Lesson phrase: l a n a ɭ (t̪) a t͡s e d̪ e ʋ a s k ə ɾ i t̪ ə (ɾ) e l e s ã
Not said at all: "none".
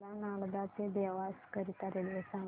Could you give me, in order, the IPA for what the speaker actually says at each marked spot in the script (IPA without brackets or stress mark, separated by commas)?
d̪, ɾ